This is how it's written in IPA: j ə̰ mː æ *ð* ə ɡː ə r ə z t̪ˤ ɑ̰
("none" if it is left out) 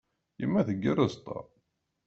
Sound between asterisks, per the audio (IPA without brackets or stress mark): θ